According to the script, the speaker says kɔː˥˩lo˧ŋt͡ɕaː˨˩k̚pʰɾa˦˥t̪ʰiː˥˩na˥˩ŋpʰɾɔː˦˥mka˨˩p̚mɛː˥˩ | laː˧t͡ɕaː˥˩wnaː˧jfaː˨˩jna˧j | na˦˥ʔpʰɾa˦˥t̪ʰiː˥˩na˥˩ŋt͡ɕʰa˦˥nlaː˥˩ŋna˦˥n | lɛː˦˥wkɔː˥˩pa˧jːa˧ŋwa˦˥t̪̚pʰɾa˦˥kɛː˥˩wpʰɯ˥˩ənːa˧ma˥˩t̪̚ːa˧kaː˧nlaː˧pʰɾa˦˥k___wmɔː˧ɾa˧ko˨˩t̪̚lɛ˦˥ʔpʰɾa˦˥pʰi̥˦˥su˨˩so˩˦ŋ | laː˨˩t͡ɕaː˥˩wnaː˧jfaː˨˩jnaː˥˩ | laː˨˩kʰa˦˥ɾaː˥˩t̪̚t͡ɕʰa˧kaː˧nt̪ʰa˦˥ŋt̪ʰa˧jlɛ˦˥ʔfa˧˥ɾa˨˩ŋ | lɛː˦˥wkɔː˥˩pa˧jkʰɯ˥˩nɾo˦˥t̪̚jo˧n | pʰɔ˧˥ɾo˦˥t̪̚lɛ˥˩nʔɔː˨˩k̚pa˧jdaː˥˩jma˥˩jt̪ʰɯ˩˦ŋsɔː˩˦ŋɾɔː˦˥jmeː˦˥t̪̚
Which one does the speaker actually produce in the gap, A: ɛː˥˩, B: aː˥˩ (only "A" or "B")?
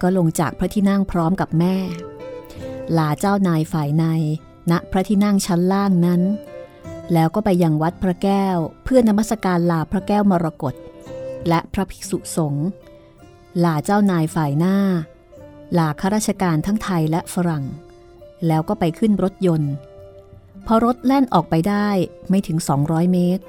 A